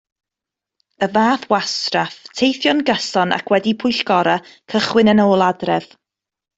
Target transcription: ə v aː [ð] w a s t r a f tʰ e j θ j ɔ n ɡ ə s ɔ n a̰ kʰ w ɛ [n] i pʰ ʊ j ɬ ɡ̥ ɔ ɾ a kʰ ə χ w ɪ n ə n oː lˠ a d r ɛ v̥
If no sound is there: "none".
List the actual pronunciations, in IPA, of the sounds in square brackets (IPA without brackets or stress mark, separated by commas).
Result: θ, d